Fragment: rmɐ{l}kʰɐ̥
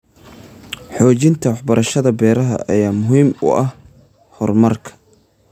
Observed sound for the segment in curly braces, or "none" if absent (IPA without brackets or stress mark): r